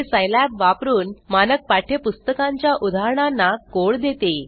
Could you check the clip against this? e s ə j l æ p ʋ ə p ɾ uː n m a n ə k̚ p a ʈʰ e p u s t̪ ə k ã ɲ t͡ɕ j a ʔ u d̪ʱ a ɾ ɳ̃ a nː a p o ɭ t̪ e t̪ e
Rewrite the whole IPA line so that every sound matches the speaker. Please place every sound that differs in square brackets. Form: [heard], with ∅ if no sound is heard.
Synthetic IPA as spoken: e s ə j l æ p ʋ [a] p ɾ uː n m a n ə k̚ p a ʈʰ e p u s t̪ ə k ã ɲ t͡ɕ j a ʔ u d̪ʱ a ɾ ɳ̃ a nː a [k] o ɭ [d̪] e t̪ e